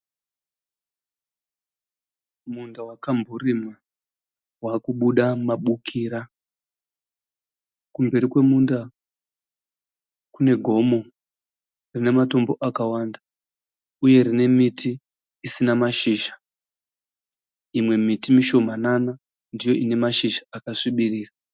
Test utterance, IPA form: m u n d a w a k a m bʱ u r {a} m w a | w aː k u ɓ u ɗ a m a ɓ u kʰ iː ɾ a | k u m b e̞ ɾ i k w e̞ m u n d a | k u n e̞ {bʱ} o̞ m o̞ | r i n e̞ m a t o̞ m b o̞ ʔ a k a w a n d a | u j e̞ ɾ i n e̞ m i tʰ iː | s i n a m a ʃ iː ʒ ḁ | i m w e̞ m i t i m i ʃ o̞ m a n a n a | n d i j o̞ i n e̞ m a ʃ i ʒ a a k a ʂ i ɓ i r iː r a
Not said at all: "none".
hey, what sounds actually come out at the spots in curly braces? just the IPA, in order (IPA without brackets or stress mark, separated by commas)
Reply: i, ɡʱ